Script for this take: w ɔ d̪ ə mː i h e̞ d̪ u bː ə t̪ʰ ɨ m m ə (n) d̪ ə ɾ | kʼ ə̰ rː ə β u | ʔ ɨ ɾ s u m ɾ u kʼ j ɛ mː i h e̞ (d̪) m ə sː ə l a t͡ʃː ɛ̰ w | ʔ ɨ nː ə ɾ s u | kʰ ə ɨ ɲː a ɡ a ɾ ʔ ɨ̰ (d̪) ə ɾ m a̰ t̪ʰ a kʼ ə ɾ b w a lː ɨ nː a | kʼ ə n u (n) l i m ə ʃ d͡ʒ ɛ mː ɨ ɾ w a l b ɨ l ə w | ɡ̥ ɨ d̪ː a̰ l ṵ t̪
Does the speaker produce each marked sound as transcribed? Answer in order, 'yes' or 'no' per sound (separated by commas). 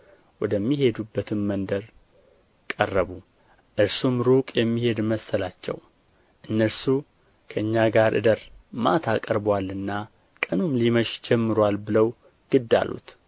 yes, yes, yes, no